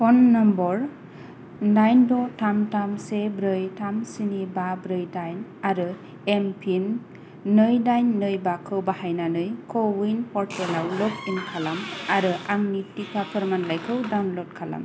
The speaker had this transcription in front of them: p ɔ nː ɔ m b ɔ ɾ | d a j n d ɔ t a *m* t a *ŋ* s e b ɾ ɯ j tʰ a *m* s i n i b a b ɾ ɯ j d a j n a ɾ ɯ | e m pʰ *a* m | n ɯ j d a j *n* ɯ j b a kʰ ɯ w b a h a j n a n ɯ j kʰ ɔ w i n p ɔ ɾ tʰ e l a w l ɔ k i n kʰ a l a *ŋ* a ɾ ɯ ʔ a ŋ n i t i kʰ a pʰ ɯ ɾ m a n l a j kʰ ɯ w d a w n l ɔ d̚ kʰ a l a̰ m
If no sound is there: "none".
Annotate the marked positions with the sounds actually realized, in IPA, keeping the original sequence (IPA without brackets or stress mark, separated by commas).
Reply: m, m, m, i, nː, m